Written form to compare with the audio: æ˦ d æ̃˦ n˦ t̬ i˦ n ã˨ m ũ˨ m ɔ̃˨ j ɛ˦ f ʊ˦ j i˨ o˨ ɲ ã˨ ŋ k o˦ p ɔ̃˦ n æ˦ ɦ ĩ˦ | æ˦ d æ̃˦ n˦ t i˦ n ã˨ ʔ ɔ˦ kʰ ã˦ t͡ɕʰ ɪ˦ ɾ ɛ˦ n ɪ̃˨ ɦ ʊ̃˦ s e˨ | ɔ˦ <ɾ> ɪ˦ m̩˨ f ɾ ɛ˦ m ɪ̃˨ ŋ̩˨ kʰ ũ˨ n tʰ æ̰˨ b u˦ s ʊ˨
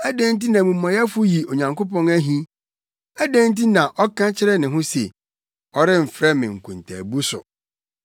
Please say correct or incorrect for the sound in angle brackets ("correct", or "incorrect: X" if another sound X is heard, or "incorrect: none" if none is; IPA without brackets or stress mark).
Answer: correct